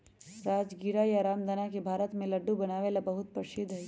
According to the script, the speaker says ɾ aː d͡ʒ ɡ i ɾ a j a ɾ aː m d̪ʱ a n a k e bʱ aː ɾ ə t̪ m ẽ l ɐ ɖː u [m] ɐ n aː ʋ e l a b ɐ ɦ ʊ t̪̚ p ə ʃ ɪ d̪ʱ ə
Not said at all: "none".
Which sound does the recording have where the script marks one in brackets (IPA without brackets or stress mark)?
b